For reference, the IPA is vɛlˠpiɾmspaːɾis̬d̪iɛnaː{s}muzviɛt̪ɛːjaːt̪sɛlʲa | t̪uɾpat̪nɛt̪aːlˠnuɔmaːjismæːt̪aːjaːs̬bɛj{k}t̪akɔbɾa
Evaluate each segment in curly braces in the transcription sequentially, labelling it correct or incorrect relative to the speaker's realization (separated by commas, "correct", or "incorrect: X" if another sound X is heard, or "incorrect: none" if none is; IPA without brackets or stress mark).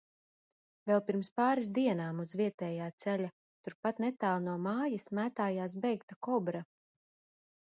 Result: incorrect: none, correct